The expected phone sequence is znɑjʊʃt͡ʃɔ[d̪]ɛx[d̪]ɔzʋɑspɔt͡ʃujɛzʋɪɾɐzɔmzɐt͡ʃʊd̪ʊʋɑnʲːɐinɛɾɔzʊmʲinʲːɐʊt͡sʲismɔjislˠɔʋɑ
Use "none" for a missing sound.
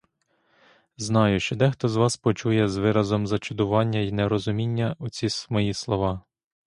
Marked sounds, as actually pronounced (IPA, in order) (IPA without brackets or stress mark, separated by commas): d̪, t̪